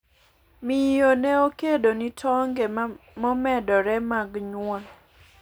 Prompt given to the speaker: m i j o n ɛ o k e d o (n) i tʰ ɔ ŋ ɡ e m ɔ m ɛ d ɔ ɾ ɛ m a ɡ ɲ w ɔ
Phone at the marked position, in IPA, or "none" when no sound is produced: n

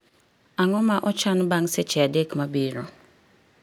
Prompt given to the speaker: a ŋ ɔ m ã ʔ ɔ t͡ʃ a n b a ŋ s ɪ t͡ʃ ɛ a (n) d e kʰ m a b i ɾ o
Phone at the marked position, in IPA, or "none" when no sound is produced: none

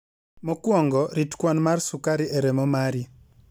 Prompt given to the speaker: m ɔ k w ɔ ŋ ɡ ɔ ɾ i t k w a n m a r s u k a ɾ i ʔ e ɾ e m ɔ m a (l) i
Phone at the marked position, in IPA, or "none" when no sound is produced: ɾ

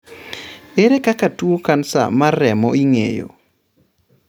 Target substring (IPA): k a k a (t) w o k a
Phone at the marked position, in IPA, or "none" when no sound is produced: t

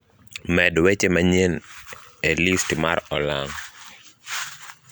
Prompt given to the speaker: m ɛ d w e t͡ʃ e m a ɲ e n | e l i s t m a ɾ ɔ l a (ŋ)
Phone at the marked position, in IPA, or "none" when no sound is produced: ŋ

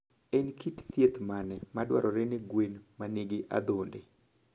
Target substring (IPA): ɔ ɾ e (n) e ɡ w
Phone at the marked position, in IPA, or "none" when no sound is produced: n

